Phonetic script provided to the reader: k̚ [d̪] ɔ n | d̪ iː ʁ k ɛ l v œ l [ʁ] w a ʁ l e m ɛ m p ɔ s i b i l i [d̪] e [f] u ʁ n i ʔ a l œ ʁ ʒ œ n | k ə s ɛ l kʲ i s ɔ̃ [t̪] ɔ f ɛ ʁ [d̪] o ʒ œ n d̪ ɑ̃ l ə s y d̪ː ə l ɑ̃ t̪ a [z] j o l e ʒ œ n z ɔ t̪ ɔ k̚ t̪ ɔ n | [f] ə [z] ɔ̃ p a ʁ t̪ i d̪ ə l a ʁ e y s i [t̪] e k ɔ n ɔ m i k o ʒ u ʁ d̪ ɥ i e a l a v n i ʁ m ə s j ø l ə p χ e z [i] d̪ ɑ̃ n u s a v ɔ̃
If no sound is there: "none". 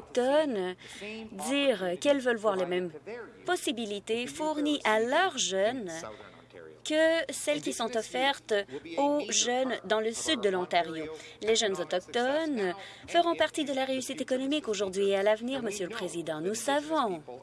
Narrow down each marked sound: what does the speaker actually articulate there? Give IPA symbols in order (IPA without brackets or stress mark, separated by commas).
t̪, v, t̪, f, t̪, t̪, ʁ, f, ʁ, t̪, i